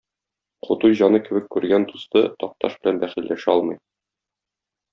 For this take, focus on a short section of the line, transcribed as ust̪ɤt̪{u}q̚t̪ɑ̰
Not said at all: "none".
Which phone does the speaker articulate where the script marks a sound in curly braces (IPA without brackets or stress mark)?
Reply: ɒ